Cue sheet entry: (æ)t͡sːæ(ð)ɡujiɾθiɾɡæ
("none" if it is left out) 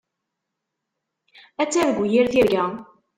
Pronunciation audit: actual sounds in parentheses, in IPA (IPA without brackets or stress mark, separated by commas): æ, ð